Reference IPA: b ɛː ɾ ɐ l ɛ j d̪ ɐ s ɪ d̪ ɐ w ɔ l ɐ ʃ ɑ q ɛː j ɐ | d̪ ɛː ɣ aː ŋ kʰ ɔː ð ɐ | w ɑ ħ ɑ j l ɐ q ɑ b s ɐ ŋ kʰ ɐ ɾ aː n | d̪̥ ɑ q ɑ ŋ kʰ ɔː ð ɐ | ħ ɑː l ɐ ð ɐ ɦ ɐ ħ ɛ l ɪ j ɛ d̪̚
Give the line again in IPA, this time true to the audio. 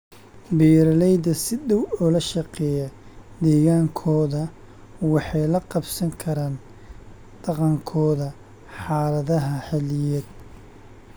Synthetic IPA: b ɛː ɾ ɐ l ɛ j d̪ ɐ s ɪ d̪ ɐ w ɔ l ɐ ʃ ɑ q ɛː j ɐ | d̪ ɛː ɣ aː ŋ kʰ ɔː ð ɐ | w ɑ ħ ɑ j l ɐ q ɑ b s ɐ ŋ kʰ ɐ ɾ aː n | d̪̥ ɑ q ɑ ŋ kʰ ɔː ð ɐ | ħ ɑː l ɐ ð ɐ ɦ ɐ ħ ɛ l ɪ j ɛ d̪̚